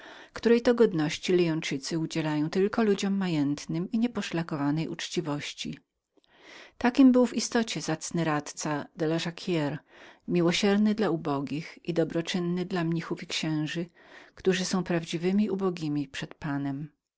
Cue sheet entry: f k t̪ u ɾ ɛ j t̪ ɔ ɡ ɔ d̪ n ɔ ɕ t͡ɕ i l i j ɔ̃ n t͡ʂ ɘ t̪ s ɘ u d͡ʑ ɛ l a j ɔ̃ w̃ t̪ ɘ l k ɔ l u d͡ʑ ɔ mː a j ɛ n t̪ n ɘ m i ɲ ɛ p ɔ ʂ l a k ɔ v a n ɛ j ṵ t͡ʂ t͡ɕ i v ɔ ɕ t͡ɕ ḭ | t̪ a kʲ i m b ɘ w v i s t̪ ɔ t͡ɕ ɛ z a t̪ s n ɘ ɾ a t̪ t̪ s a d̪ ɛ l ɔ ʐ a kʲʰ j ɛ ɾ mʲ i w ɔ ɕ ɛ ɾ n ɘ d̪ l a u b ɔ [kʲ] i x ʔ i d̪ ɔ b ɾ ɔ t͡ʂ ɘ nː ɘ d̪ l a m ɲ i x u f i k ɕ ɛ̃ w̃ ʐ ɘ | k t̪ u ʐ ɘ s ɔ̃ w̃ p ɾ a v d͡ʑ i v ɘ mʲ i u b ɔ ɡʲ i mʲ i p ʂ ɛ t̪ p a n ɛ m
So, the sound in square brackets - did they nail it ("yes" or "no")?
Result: no